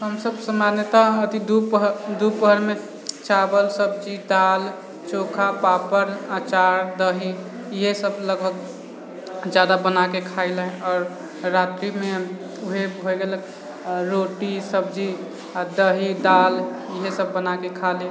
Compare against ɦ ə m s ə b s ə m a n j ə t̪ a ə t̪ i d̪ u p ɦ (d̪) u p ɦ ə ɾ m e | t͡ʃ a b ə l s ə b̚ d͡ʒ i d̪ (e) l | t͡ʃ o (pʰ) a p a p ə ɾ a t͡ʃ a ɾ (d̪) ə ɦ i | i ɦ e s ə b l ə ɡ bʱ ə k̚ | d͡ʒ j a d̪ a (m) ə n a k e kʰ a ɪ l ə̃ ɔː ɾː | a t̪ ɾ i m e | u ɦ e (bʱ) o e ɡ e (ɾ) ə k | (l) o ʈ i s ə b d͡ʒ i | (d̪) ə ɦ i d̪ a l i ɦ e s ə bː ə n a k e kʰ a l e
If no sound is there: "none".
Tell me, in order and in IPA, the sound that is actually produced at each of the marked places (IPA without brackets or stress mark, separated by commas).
d̪, a, kʰ, d̪, b, bʱ, l, ɾ, d̪